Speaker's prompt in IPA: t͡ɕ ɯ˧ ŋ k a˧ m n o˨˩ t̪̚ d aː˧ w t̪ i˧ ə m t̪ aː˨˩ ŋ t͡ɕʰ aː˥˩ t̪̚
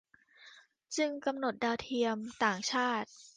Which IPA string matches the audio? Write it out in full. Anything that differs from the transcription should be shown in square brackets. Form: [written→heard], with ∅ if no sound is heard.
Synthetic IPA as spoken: t͡ɕ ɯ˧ ŋ k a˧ m n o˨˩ t̪̚ d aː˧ w [t̪→t̪ʰ] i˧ ə m t̪ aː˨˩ ŋ t͡ɕʰ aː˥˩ t̪̚